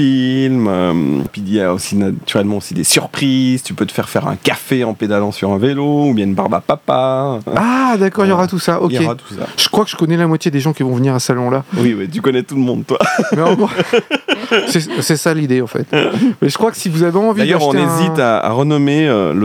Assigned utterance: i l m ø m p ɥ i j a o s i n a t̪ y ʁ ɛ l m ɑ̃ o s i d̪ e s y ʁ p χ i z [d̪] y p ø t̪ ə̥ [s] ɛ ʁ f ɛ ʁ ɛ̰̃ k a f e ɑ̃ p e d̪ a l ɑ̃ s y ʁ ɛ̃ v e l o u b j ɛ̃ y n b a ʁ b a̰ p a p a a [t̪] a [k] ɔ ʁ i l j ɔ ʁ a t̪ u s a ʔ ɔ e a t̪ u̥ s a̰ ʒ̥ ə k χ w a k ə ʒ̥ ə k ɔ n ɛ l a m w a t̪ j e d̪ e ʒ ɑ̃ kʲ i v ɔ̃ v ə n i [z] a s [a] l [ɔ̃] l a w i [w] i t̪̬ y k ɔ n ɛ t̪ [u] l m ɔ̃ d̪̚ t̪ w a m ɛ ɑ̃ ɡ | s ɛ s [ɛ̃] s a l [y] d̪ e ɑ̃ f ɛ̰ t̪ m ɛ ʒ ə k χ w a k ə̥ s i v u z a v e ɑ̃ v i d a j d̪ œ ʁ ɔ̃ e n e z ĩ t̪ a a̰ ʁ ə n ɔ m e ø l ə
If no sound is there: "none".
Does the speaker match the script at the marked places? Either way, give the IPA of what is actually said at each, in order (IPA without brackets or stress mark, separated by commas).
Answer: t̪, f, d̪, k, ʁ, a, ɔ̃, w, u, ɛ, i